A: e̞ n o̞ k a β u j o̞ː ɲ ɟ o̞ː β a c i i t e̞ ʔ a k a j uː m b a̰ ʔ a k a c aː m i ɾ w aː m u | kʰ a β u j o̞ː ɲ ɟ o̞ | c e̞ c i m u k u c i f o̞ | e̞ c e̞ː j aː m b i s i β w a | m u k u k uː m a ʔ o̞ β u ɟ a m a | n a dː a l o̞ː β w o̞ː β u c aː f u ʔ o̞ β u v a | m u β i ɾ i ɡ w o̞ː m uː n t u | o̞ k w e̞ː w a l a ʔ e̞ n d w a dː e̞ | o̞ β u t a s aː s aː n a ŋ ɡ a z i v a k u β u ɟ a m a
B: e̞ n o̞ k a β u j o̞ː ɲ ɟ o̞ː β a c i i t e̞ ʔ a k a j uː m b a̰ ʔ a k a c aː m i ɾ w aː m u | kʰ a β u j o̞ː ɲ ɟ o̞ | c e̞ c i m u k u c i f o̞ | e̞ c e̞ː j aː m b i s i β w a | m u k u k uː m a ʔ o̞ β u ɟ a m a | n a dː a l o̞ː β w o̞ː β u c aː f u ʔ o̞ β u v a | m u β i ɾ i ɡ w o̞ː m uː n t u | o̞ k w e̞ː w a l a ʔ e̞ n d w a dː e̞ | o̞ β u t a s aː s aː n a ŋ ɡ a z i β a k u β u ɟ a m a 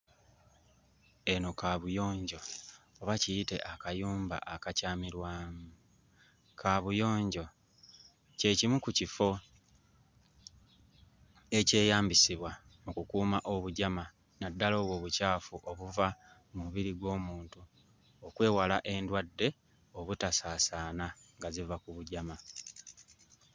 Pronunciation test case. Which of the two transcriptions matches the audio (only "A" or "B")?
A